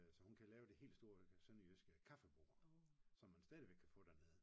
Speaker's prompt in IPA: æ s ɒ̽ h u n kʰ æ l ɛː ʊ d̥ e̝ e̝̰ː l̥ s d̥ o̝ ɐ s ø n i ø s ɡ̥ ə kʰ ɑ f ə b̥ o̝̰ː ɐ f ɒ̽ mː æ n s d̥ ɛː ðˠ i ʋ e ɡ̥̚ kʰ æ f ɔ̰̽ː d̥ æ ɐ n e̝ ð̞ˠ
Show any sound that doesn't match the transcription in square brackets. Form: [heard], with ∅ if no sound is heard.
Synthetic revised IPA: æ s ɒ̽ h u n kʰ æ l ɛː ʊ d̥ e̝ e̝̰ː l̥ s d̥ o̝ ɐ s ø n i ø s ɡ̥ ə kʰ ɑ f ə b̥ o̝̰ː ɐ [s] ɒ̽ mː æ n s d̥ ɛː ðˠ i ʋ e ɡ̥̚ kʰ æ f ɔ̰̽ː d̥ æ ɐ n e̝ ð̞ˠ